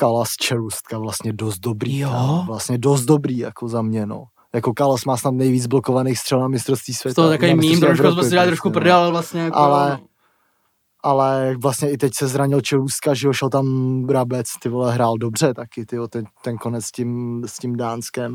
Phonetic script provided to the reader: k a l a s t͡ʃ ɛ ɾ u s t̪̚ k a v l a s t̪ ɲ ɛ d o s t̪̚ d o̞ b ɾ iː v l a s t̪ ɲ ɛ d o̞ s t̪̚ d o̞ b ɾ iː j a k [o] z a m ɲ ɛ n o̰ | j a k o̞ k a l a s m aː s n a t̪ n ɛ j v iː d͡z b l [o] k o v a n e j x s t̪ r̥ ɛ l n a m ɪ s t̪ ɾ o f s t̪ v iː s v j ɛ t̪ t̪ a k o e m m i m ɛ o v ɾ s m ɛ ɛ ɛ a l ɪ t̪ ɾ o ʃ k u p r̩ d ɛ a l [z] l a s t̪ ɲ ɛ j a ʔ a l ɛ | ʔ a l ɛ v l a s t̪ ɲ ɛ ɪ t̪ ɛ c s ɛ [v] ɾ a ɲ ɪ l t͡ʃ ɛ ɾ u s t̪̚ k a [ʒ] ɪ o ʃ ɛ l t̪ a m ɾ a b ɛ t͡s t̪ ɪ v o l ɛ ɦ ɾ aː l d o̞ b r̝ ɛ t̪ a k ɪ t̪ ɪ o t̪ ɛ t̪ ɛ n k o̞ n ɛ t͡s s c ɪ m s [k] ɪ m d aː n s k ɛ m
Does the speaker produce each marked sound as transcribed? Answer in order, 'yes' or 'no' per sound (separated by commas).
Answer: yes, yes, no, no, yes, no